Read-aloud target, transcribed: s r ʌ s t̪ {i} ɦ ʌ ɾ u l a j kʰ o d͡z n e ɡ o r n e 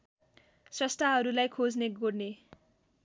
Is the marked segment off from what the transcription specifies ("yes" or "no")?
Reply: yes